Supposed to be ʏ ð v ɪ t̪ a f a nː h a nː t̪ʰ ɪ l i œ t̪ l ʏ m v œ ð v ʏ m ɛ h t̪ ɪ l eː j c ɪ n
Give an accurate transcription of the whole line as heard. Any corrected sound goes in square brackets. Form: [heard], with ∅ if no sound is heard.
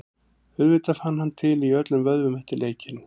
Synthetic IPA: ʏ ð v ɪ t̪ a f a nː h a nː t̪ʰ ɪ l i œ t̪ l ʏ m v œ ð v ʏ m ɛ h t̪ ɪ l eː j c ɪ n